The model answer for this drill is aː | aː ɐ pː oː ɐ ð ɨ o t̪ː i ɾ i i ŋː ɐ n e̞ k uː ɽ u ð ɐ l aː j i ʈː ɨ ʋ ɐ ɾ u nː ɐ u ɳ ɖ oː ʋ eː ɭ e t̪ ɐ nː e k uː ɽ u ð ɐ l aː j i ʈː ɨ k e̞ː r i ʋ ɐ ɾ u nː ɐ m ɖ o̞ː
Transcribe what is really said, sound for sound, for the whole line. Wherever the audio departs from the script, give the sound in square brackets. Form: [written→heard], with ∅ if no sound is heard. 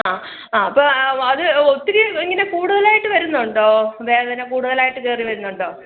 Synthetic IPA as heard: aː | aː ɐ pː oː ɐ ð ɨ o t̪ː i ɾ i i ŋː ɐ n e̞ k uː ɽ u ð ɐ l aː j i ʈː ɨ ʋ ɐ ɾ u nː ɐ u ɳ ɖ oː ʋ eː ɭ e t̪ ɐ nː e k uː ɽ u ð ɐ l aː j i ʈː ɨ k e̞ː r i ʋ ɐ ɾ u nː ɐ [m→ɳ] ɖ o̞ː